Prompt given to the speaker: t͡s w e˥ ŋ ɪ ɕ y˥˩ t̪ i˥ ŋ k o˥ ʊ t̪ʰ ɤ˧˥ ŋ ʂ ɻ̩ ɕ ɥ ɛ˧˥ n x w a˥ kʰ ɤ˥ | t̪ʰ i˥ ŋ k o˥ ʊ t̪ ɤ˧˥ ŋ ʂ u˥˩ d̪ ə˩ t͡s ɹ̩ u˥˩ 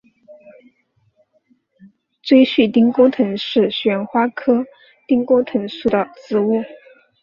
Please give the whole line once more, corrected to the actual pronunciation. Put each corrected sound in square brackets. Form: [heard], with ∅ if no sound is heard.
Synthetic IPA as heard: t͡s w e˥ [∅] ɪ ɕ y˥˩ t̪ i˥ ŋ k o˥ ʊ t̪ʰ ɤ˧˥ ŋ ʂ ɻ̩ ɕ ɥ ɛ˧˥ n x w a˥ kʰ ɤ˥ | [t̪] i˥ ŋ k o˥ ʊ [t̪ʰ] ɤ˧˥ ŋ ʂ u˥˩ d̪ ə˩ t͡s ɹ̩ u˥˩